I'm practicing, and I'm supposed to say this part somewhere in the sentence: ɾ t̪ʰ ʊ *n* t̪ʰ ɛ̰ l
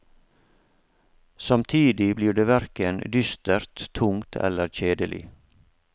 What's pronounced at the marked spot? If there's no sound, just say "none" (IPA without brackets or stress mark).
ŋ